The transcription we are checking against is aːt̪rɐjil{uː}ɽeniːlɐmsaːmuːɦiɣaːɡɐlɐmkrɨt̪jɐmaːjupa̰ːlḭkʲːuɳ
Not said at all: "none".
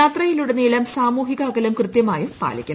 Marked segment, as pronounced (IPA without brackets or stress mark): u